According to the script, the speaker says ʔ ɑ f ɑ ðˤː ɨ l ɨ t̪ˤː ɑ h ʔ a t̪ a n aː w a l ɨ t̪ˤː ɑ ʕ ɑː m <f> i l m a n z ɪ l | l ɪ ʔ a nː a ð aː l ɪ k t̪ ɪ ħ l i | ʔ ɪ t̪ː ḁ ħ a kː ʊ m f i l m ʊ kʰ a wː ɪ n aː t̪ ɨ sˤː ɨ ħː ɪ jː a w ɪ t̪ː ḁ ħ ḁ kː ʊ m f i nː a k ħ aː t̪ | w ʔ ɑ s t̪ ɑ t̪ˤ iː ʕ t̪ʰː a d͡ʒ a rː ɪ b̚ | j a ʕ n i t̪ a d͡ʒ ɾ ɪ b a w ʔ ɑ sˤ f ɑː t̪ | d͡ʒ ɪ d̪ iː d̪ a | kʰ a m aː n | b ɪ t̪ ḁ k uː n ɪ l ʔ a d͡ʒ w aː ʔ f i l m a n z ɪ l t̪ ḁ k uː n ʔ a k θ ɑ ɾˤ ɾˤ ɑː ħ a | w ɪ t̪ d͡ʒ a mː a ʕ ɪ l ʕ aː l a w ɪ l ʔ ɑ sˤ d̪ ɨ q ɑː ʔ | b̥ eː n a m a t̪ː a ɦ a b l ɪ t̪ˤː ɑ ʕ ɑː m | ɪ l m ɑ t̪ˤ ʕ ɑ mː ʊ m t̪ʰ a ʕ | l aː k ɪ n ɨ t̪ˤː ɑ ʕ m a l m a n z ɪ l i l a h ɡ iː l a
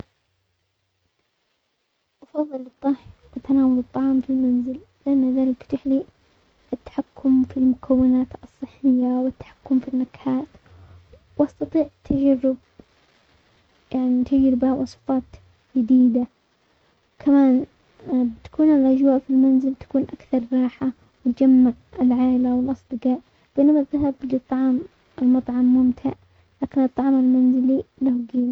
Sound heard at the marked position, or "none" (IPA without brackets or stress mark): f